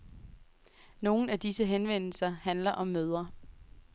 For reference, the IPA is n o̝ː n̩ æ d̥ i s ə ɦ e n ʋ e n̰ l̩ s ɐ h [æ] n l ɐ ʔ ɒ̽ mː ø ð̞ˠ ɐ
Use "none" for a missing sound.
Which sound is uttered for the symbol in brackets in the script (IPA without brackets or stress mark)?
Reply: æ